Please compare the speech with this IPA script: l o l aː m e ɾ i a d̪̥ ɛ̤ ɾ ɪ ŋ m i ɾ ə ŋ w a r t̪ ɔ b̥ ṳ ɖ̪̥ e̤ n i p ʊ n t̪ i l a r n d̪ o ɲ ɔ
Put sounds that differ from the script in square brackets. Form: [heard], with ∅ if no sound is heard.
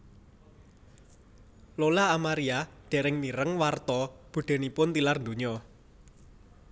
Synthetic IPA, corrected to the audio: l o l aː m [a] ɾ i a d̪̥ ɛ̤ ɾ ɪ ŋ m i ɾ ə ŋ w a r t̪ ɔ b̥ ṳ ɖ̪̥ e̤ n i p ʊ n t̪ i l a r n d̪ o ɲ ɔ